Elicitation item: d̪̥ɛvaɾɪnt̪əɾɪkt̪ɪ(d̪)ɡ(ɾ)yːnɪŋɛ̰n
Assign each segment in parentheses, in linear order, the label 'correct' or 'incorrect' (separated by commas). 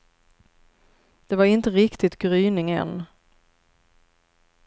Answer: incorrect, correct